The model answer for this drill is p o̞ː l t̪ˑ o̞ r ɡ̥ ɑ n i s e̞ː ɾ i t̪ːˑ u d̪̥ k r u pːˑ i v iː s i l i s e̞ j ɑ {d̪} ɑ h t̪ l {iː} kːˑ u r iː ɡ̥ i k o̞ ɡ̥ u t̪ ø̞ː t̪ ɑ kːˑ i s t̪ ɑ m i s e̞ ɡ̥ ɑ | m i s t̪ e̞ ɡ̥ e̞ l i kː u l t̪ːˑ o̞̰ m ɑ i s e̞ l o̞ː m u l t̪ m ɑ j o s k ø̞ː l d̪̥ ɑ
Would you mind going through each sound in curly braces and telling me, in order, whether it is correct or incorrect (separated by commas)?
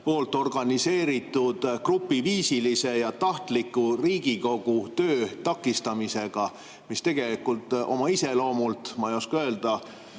incorrect, incorrect